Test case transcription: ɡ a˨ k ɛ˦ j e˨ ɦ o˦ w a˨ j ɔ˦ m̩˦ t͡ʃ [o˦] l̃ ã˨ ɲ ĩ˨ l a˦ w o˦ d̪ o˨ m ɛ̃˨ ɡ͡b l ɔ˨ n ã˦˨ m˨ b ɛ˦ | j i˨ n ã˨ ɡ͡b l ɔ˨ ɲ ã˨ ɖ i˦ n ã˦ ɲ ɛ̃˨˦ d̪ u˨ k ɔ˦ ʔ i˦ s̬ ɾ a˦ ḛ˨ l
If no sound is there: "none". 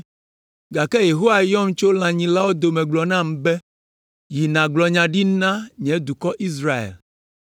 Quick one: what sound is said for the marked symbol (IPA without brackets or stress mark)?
o˦